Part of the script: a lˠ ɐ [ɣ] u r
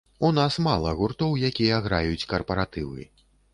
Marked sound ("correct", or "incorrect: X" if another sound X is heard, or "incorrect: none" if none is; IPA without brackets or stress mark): correct